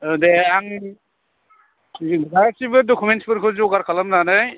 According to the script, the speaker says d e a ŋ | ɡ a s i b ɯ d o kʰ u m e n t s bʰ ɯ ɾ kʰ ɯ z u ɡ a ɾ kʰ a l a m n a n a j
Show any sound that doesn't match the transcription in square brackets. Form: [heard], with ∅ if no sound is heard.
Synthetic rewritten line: d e a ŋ | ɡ a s i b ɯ d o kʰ u m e n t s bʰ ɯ ɾ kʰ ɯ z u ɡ a ɾ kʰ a l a m n a n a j